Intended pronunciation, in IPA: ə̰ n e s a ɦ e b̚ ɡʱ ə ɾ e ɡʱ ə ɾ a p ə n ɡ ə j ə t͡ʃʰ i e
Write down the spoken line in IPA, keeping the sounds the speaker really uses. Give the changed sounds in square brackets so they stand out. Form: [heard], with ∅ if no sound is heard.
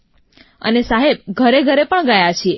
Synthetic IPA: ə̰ n e s a ɦ e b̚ ɡʱ ə ɾ e ɡʱ ə ɾ [e] p ə [ɳ] ɡ ə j [a] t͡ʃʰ i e